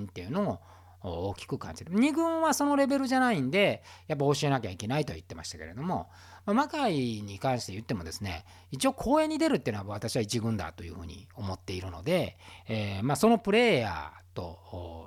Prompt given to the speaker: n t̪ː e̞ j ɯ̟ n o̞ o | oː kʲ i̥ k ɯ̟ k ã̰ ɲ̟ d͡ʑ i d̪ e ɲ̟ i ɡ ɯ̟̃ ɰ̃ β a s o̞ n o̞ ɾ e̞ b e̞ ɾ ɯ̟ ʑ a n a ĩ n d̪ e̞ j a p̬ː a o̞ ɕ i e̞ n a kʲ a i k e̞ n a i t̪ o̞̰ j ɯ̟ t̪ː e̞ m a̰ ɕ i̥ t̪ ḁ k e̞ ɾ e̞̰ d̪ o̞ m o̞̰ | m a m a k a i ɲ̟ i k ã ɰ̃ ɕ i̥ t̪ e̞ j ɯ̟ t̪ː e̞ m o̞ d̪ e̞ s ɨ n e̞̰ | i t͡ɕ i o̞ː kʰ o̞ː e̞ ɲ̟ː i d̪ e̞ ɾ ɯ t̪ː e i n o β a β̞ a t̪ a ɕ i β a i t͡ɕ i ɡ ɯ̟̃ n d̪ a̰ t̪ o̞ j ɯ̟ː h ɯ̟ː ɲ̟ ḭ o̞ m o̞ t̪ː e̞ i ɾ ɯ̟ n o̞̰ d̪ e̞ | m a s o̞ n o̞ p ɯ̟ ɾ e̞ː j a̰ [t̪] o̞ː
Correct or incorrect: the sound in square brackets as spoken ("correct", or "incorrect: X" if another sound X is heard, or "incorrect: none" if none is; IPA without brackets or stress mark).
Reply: correct